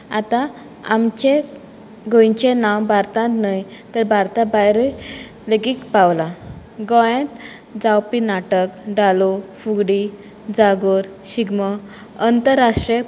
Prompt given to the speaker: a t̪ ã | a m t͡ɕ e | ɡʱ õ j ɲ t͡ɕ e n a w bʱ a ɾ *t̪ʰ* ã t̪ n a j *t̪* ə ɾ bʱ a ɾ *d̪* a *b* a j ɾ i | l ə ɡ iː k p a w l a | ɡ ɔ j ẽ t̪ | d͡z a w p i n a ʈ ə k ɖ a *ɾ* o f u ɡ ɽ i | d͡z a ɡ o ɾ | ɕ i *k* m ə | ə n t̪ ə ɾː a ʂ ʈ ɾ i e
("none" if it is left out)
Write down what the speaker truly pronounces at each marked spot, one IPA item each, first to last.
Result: t̪, t̪, t̪, b, l, ɡ

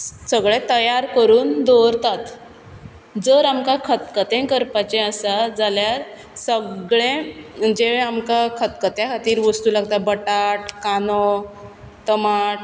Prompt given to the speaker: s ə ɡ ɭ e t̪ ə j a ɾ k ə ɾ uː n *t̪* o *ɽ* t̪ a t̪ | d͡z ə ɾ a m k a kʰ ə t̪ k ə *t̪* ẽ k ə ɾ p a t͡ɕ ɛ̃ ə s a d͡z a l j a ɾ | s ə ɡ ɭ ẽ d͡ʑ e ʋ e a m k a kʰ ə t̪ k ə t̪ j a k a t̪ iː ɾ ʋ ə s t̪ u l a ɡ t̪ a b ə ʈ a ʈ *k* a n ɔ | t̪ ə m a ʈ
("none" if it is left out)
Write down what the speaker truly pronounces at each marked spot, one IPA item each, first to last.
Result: d̪, ɾ, t̪, k

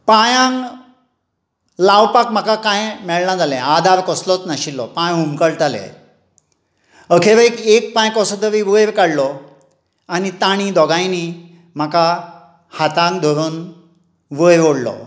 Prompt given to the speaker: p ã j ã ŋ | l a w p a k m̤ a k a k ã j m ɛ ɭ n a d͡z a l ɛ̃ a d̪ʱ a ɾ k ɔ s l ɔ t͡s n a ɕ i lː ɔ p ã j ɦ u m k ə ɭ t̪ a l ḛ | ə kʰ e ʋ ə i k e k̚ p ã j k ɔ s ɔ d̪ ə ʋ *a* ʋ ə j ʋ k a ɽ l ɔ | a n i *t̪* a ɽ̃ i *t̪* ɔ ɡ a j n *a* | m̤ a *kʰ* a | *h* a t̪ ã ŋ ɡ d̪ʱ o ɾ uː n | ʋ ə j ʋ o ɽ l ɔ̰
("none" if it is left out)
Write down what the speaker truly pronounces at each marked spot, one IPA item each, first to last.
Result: i, t̪, d̪, i, k, h

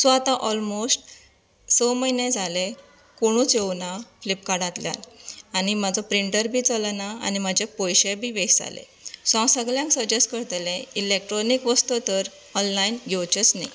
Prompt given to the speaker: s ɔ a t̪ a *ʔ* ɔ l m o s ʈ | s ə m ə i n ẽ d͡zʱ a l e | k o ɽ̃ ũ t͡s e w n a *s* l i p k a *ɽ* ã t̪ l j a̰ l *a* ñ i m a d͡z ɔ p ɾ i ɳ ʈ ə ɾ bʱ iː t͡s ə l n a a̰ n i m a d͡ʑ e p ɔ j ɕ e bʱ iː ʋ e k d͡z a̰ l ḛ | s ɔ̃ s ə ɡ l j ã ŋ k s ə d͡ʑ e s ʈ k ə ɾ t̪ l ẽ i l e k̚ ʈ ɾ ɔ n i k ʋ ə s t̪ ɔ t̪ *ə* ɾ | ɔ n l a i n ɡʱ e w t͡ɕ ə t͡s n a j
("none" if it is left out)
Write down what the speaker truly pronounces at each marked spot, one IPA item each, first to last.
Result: ʔ, f, ɽ, a, ə

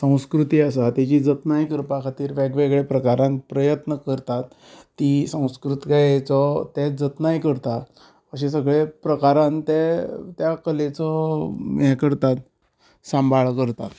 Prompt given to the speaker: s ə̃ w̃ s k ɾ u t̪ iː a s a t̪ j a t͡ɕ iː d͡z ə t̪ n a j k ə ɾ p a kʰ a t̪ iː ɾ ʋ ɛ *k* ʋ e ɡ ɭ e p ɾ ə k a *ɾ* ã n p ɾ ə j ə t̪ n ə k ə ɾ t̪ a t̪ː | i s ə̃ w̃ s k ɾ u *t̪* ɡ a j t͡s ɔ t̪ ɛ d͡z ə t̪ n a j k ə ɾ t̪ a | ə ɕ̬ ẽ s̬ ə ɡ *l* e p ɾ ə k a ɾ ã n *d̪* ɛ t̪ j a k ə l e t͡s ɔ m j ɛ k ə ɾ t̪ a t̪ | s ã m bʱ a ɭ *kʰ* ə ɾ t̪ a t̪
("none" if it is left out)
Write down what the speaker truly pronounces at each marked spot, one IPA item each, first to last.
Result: ɡ, ɾ, t̪, ɭ, t̪, k

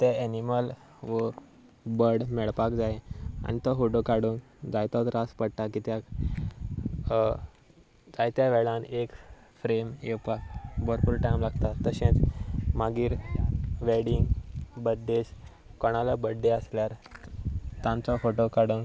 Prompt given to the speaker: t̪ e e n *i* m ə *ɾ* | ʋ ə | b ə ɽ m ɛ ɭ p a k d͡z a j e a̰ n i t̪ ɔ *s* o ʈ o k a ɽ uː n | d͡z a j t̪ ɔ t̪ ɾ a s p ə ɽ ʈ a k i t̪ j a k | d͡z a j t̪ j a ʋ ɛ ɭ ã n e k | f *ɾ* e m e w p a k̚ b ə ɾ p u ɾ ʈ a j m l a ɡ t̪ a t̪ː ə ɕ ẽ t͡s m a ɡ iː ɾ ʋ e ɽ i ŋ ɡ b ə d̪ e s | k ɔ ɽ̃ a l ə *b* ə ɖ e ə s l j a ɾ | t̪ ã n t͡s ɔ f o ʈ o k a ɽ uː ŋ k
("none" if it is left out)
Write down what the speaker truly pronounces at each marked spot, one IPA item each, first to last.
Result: i, l, f, ɾ, b

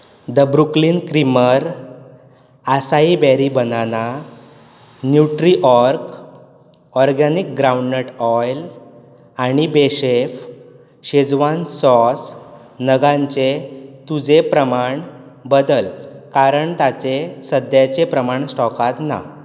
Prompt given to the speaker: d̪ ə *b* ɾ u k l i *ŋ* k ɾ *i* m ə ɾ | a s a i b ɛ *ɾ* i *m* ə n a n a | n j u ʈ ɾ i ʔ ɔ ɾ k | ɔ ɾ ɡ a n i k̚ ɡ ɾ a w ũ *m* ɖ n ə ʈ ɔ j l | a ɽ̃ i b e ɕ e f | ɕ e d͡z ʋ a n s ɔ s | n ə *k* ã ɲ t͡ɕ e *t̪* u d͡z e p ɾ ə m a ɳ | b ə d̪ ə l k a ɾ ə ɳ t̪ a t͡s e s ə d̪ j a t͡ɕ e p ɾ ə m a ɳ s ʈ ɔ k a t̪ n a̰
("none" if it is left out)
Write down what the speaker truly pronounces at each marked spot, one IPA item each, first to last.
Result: b, n, i, ɾ, b, ɳ, ɡ, t̪

